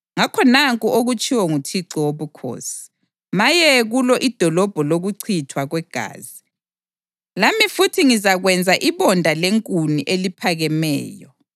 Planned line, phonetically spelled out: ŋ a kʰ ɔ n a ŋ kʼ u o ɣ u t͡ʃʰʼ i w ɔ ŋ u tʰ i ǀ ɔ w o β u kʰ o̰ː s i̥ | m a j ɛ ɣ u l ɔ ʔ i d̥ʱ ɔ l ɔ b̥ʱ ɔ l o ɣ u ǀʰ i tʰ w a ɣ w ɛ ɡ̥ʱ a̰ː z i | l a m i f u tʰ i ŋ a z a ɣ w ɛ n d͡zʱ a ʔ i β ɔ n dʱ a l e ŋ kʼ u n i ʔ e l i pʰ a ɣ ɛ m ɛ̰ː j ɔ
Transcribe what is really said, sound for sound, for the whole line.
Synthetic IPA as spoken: ŋ a kʰ ɔ n a ŋ kʼ u o ɣ u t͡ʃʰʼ i w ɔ ŋ u tʰ i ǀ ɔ w o β u kʰ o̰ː s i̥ | m a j ɛ ɣ u l ɔ ʔ i d̥ʱ ɔ l ɔ b̥ʱ ɔ l o ɣ u ǀʰ i tʰ w a ɣ w ɛ ɡ̥ʱ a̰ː z i | l a m i f u tʰ i ŋ i z a ɣ w ɛ n d͡zʱ a ʔ i β ɔ n dʱ a l e ŋ kʼ u n i ʔ e l i pʰ a ɣ ɛ m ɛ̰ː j ɔ

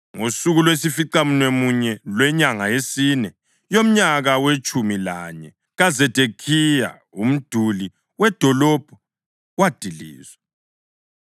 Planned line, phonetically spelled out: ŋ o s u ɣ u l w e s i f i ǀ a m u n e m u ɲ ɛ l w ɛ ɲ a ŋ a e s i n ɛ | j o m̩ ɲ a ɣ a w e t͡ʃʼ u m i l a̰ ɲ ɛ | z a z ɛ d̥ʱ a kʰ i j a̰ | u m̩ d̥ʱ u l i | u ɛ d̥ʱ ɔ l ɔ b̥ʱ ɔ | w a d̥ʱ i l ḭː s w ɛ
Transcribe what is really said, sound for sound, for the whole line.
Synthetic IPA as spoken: ŋ o s u ɣ u l w e s i f i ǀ a m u n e m u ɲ ɛ l w ɛ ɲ a ŋ a e s i n ɛ | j o m̩ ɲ a ɣ a w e t͡ʃʼ u m i l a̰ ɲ ɛ | ɣ a z ɛ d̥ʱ e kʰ i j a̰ | u m̩ d̥ʱ u l i | w ɛ d̥ʱ ɔ l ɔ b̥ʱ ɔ | w a d̥ʱ i l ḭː z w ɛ

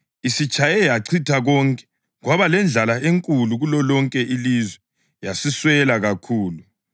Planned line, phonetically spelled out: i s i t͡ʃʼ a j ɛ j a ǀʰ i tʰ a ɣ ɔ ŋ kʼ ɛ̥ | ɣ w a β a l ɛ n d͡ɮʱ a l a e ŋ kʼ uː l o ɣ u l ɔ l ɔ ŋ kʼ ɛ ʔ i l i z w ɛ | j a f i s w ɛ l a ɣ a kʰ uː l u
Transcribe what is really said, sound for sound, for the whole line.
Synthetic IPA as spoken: i s i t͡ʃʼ a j ɛ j a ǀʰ i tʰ a ɣ ɔ ŋ kʼ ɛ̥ | ɣ w a β a l ɛ n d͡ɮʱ a l a e ŋ kʼ u l u ɣ u l ɔ l ɔ ŋ kʼ ɛ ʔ i l i z w ɛ | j a s i s w ɛ l a ɣ a kʰ uː l u

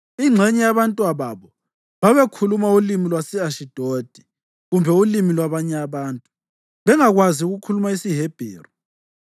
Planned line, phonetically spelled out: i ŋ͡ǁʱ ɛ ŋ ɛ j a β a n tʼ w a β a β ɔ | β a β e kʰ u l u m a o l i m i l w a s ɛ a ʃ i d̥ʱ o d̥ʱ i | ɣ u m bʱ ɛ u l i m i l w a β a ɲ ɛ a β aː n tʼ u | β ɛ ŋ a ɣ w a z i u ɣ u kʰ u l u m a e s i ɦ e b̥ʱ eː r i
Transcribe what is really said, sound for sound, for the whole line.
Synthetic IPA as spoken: i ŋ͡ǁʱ ɛ ɲ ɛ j a β a n tʼ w a β a β ɔ | β a β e kʰ u l u m a u l i m i l w a s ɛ a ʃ i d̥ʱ o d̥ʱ i | ɣ u m bʱ ɛ u l i m i l w a β a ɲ ɛ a β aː n tʼ u | β ɛ ŋ a ɣ w a z i u ɣ u kʰ u l u m a i s i ɦ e b̥ʱ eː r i

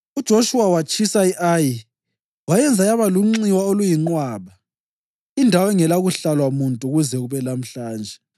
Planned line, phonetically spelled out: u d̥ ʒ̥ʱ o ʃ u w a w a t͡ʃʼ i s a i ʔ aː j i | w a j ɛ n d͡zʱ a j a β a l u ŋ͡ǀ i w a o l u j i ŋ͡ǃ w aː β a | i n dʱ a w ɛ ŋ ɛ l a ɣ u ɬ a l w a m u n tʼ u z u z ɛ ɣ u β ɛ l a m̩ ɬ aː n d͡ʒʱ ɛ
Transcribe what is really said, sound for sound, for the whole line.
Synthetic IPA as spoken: u d̥ ʒ̥ʱ o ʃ u w a w a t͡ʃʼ i s a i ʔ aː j i | w a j ɛ n d͡zʱ a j a β a l u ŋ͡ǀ i w a o l u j i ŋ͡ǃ w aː β a | i n dʱ a w ɛ ŋ ɛ l a ɣ u ɬ a l w a m u n tʼ u ɣ u z ɛ ɣ u β ɛ l a m̩ ɬ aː n d͡ʒʱ ɛ

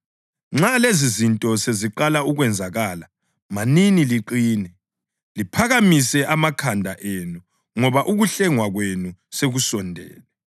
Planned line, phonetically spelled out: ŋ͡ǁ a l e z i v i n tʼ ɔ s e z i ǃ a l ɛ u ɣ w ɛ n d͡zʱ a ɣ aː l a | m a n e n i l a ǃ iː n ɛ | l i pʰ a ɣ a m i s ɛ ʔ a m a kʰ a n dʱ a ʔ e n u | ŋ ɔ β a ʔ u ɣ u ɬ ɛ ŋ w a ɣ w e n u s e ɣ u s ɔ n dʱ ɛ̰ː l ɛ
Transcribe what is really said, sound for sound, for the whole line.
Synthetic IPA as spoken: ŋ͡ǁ a l e z i z i n tʼ ɔ s e z i ǃ a l a u ɣ w ɛ n d͡zʱ a ɣ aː l a | m a n i n i l i ǃ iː n ɛ | l i pʰ a ɣ a m i s ɛ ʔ a m a kʰ a n dʱ a ʔ e n u | ŋ ɔ β a ʔ u ɣ u ɬ ɛ ŋ w a ɣ w e n u s e ɣ u s ɔ n dʱ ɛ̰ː l ɛ

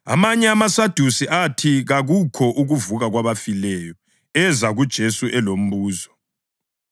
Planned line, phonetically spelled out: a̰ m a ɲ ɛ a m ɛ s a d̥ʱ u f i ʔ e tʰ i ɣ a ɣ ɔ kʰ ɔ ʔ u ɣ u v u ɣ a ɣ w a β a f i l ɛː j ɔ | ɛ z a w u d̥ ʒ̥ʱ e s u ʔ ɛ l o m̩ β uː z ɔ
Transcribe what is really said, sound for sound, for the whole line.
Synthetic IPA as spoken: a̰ m a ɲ ɛ a m a s a d̥ʱ u s i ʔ a tʰ i ɣ a ɣ u kʰ ɔ ʔ u ɣ u v u ɣ a ɣ w a β a f i l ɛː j ɔ | ɛ z a ɣ u d̥ ʒ̥ʱ e s u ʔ ɛ l o m̩ β uː z ɔ

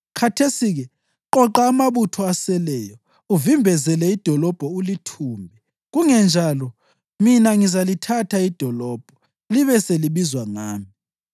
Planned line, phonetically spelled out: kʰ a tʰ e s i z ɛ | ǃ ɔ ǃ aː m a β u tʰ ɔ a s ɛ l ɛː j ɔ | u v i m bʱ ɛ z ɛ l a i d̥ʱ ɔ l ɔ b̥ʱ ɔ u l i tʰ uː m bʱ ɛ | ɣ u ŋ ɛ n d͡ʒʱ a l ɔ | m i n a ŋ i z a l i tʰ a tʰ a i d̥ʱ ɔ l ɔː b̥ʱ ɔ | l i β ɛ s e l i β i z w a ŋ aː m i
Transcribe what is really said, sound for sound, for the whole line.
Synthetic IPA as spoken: kʰ a tʰ e s i ɣ ɛ | ǃ ɔ ǃ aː m a β u tʰ ɔ a s ɛ l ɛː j ɔ | u v i m bʱ ɛ z ɛ l ɛ i d̥ʱ ɔ l ɔ b̥ʱ ɔ u l i tʰ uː m bʱ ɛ | ɣ u ŋ ɛ n d͡ʒʱ a l ɔ | m i n a ŋ i z a l i tʰ a tʰ a i d̥ʱ ɔ l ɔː b̥ʱ ɔ | l i β ɛ s e l i β i z w a ŋ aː m i

